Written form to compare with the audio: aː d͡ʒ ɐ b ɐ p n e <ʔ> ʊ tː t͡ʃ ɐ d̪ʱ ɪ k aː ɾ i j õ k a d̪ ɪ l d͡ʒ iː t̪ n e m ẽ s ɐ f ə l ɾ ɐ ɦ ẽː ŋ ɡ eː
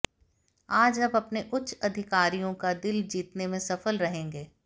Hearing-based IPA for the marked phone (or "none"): ʔ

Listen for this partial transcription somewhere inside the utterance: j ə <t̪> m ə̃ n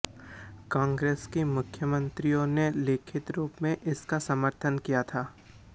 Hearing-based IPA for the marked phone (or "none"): none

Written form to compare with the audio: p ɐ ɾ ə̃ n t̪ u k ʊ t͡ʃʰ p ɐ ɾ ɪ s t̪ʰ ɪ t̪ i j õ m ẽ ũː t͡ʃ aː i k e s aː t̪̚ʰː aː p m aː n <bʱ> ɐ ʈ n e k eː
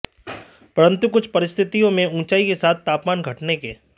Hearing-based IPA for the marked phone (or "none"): ɡʱ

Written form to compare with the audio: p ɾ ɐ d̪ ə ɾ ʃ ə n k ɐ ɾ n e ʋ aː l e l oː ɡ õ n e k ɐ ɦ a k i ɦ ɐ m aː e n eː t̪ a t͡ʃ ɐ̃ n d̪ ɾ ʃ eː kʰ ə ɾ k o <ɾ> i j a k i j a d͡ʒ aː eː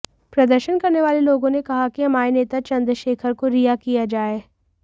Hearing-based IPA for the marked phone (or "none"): ɾ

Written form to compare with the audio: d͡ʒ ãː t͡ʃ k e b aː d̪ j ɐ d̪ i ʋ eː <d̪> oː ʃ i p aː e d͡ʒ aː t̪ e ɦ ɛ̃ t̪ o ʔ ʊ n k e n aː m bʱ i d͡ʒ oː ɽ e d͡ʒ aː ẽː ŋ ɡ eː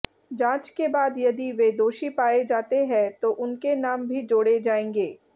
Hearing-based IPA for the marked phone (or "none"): d̪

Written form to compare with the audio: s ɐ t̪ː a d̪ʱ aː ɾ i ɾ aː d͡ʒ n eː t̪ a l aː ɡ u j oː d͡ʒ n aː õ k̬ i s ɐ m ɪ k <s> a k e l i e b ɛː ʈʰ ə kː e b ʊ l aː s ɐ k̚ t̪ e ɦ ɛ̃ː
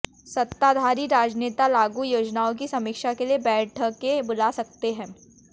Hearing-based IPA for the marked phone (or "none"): ʃ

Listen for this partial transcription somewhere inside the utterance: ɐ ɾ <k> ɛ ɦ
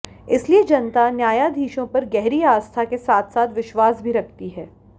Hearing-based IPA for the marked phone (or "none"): ɡ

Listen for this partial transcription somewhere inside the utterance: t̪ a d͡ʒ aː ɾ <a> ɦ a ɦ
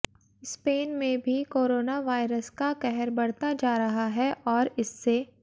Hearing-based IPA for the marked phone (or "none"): ɐ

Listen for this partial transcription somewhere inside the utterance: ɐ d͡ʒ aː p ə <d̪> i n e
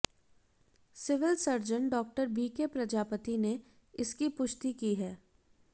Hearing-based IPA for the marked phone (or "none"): t̪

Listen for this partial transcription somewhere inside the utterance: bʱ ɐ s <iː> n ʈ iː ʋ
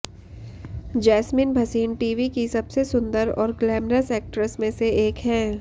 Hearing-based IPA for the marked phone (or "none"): iː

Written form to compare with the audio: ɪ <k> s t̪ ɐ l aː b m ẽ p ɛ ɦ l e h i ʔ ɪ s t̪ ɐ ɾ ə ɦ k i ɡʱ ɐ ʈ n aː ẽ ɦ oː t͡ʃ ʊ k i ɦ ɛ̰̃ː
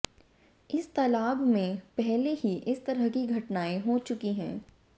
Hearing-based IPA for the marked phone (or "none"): none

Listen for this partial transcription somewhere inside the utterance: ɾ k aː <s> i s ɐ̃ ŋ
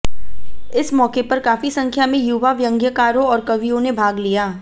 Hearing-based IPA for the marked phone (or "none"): f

